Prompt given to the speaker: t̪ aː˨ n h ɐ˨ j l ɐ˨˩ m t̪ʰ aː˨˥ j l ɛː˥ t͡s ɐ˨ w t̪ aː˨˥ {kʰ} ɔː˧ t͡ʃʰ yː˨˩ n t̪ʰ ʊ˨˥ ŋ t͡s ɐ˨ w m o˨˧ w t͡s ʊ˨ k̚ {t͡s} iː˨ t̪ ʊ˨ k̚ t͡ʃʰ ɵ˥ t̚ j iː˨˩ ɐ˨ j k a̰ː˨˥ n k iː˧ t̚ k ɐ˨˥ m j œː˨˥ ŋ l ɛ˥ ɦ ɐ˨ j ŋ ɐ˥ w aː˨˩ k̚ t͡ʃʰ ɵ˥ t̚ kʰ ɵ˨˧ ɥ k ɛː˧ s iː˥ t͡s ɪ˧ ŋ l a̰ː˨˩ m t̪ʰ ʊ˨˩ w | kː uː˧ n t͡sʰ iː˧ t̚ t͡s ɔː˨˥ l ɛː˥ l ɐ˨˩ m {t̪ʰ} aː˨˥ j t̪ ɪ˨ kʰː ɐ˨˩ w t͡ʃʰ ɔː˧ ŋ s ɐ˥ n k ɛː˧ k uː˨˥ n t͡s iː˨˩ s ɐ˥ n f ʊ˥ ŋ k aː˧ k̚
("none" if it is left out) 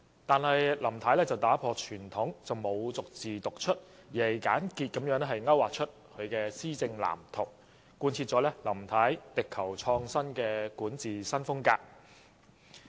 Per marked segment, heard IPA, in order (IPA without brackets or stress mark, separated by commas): pʰ, t͡s, t̪ʰ